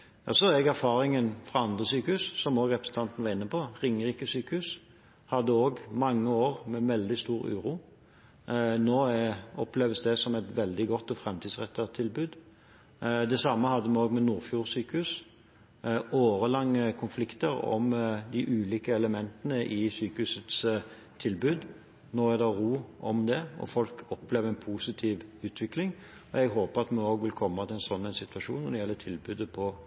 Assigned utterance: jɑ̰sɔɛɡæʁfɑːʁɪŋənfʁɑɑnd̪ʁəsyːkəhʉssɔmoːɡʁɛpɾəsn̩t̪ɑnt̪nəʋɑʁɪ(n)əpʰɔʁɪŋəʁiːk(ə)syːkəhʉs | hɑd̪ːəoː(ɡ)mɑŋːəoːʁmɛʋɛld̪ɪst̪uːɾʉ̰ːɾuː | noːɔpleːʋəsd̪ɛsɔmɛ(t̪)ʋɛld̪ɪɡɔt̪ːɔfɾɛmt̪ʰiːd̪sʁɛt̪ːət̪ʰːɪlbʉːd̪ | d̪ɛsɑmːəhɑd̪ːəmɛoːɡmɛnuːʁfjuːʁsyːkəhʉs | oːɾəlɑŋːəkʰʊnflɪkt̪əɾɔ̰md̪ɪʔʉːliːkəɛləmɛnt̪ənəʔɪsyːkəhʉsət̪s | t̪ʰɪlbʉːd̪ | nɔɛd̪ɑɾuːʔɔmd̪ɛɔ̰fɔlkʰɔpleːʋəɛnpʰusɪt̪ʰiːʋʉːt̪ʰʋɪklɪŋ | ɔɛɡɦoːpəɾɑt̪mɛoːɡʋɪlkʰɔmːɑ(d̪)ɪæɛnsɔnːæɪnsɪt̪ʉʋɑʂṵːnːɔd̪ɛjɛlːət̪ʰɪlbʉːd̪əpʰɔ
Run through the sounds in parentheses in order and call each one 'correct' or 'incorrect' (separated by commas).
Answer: incorrect, correct, correct, correct, incorrect